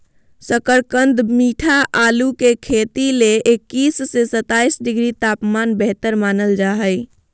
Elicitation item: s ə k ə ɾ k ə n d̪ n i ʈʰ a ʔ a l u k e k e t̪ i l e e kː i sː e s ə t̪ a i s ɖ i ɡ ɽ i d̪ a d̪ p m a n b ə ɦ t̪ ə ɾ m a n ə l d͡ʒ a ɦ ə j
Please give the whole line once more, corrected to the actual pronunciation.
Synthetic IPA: s ə k ə ɾ k ə n d̪ m i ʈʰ a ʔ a l u k e kʰ e t̪ i l e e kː i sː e s ə t̪ a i s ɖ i ɡ ɾ i t̪ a p m a n b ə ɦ t̪ ə ɾ m a n ə l d͡ʒ a ɦ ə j

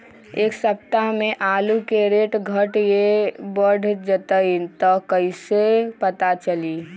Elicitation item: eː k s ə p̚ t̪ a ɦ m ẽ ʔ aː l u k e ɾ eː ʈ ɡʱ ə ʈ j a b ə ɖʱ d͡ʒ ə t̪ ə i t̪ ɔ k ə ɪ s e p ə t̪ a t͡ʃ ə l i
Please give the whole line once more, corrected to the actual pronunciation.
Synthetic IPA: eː k s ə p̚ t̪ a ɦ m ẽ ʔ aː l u k e ɾ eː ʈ ɡʱ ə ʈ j e b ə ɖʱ d͡ʒ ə t̪ ə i t̪ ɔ k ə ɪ s e p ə t̪ a t͡ʃ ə l i

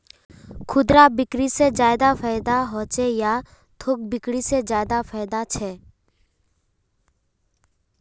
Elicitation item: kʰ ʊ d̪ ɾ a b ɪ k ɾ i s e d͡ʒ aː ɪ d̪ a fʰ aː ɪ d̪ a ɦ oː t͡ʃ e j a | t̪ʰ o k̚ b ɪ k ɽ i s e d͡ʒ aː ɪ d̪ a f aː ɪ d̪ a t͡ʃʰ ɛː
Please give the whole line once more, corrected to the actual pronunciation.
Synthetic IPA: kʰ ʊ d̪ ɾ a b ɪ k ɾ i s e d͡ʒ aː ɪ d̪ a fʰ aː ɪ d̪ a ɦ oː t͡ʃ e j a | t̪ʰ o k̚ b ɪ k ɽ i s e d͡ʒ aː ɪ d̪ a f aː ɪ d̪ a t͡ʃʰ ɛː

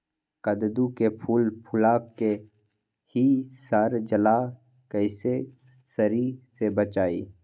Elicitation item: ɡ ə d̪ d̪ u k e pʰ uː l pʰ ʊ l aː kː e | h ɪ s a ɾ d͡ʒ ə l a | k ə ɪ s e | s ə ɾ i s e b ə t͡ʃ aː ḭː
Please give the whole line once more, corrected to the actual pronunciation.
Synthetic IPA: k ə d̪ d̪ u k e pʰ uː l pʰ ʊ l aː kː e | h i s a ɾ d͡ʒ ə l a | k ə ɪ s e | s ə ɾ i s e b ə t͡ʃ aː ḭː

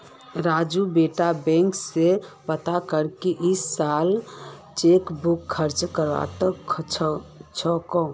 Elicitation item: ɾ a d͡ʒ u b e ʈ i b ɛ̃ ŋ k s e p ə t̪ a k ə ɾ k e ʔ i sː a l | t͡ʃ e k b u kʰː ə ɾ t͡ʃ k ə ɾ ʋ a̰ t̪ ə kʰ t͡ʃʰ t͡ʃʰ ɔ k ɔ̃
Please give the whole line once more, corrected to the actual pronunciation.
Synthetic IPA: ɾ a d͡ʒ u b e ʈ a b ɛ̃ ŋ k s e p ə t̪ a k ə ɾ k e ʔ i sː a l | t͡ʃ e k b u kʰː ə ɾ t͡ʃ k ə ɾ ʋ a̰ t̪ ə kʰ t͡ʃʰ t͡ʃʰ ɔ k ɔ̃

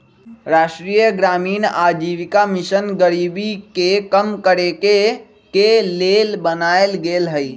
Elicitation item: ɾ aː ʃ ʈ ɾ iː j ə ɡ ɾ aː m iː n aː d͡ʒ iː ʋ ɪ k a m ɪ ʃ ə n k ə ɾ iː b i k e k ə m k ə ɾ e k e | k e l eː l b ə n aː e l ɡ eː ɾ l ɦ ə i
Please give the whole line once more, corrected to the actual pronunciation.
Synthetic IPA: ɾ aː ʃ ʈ ɾ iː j ə ɡ ɾ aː m iː n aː d͡ʒ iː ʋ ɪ k a m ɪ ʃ ə n ɡ ə ɾ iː b i k e k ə m k ə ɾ e k e | k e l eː l b ə n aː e l ɡ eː l ɦ ə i

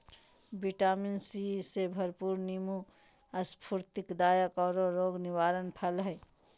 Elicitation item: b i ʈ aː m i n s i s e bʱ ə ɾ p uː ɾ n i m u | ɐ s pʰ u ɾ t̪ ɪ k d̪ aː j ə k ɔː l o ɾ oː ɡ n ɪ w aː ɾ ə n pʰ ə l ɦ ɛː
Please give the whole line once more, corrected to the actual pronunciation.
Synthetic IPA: b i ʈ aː m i n s i s e bʱ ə ɾ p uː ɾ n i m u | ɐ s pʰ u ɾ t̪ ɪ k d̪ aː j ə k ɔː ɾ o ɾ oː ɡ n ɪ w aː ɾ ə n pʰ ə l ɦ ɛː

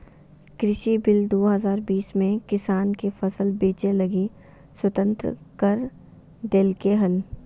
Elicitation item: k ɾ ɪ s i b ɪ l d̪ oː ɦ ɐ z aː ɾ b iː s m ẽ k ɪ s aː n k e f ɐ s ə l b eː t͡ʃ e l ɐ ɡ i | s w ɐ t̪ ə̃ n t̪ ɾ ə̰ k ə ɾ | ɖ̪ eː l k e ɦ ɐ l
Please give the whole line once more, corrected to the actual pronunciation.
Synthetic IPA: k ɾ ɪ ʃ i b ɪ l d̪ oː ɦ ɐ z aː ɾ b iː s m ẽ k ɪ s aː n k e f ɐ s ə l b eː t͡ʃ e l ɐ ɡ i | s w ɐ t̪ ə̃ n t̪ ɾ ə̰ k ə ɾ | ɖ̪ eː l k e ɦ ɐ l

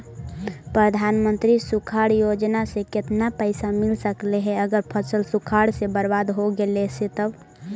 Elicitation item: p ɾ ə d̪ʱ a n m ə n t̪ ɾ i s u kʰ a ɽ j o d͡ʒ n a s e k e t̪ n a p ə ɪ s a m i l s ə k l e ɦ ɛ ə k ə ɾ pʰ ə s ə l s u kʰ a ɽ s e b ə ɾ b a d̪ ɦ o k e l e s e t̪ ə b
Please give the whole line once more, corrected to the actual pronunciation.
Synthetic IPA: p ɾ ə d̪ʱ a n m ə n t̪ ɾ i s u kʰ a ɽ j o d͡ʒ n a s e k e t̪ n a p ə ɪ s a m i l s ə k l e ɦ ɛ ə ɡ ə ɾ pʰ ə s ə l s u kʰ a ɽ s e b ə ɾ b a d̪ ɦ o ɡ e l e s e t̪ ə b

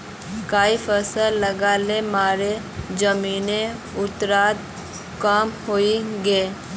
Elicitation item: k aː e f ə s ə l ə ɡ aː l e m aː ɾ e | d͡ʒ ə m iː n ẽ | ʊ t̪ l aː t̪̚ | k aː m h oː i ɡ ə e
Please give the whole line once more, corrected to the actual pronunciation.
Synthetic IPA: k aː i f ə s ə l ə ɡ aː l e m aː ɾ e | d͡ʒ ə m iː n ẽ | ʊ t̪ ɾ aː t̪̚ | k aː m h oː i ɡ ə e

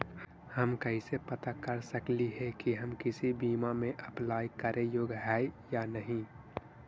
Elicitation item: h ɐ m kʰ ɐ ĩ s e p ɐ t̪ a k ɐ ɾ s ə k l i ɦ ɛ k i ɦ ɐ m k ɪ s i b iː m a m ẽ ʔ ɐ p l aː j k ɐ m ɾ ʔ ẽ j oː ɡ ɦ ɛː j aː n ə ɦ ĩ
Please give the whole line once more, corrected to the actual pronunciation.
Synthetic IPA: h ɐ m k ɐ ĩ s e p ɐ t̪ a k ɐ ɾ s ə k l i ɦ ɛ k i ɦ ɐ m k ɪ s i b iː m a m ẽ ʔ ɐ p l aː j k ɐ ɾ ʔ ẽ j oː ɡ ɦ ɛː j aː n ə ɦ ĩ

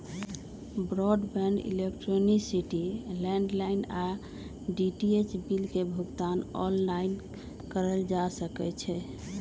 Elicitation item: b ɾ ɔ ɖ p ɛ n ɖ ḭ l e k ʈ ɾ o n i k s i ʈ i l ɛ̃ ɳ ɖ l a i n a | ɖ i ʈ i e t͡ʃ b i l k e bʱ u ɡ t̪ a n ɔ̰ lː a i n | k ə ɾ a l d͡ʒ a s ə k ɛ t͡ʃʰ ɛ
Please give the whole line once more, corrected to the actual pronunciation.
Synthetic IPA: b ɾ ɔ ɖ b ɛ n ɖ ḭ l e k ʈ ɾ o n i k s i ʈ i l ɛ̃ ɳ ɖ l a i n a | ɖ i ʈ i e t͡ʃ b i l k e bʱ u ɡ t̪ a n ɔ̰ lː a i n | k ə ɾ ə l d͡ʒ a s ə k ɛ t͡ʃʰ ɛ

